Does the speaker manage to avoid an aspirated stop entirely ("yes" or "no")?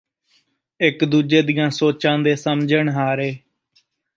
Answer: yes